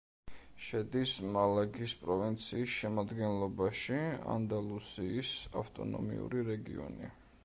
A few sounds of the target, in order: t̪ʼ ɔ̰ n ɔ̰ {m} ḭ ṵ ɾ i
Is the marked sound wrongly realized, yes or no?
no